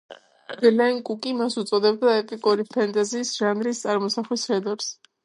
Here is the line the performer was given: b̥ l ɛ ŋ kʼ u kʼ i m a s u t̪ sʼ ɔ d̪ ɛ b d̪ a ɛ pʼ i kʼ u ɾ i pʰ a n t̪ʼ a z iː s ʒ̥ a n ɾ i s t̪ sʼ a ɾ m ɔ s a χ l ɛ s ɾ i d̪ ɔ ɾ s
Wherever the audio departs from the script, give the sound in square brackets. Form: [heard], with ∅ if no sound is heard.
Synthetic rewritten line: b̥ l ɛ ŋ kʼ u kʼ i m a s u t̪ sʼ ɔ d̪ ɛ b d̪ a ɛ pʼ i kʼ u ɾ i pʰ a n t̪ʼ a z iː s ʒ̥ a n ɾ i s t̪ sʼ a ɾ m ɔ s a χ l [i] s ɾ [ɛ] d̪ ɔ ɾ s